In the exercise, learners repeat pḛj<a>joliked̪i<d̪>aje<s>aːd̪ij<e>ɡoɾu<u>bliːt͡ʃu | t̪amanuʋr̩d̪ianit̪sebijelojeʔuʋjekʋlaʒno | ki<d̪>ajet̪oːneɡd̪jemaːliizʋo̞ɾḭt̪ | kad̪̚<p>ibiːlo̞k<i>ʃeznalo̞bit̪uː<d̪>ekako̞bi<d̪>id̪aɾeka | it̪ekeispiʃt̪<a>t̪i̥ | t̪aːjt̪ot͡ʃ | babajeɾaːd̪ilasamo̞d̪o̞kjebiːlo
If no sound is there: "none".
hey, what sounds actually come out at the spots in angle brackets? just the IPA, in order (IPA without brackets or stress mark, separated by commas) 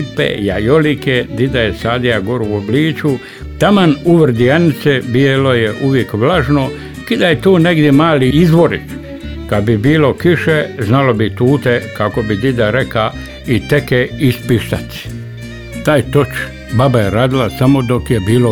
a, d̪, s, a, o, d̪, b, i, t̪, d̪, a